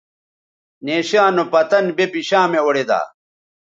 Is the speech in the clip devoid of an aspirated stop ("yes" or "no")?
yes